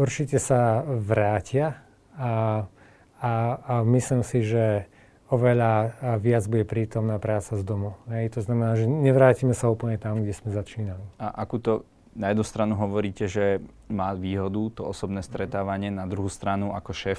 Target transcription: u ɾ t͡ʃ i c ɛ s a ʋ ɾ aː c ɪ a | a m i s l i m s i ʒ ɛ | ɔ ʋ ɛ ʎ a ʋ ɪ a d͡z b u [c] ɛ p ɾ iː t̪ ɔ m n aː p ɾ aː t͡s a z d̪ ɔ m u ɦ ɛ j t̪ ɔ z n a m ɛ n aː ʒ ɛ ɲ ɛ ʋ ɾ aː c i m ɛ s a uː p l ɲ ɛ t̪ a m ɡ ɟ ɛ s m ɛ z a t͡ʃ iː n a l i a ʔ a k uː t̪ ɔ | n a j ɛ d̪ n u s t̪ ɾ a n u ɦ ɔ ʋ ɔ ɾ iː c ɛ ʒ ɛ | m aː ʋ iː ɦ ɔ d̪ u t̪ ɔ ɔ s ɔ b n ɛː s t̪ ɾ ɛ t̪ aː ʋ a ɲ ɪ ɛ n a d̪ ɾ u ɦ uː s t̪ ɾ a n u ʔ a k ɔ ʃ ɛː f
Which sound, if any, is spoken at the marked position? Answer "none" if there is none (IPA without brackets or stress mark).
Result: ɟ